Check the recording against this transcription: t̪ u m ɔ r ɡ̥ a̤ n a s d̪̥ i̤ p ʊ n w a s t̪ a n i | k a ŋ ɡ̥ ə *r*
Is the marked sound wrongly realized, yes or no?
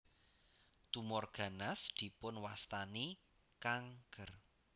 no